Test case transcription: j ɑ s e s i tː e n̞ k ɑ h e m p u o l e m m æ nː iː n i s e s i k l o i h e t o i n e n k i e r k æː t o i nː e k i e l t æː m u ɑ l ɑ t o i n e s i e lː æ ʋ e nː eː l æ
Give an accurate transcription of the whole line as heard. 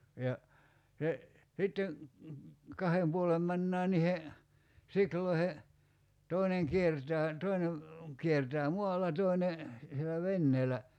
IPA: j ɑ s e s i tː e n̞ k ɑ h e m p u o l e m m æ nː æː n i h e s i k l o i h e t o i n e ŋ k i e r t æː t o i n e k i e r t æː m u ɑ l ɑ t o i n e s i e l æ ʋ e nː eː l æ